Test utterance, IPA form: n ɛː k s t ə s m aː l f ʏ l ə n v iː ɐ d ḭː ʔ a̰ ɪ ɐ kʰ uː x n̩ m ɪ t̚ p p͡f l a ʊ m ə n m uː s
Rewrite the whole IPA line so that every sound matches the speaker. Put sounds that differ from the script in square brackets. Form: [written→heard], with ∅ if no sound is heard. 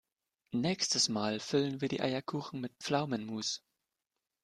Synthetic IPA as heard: n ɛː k s t ə s m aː l f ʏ l ə n v iː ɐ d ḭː ʔ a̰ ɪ ɐ kʰ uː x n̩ m ɪ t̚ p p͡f l a ʊ m ə n m uː s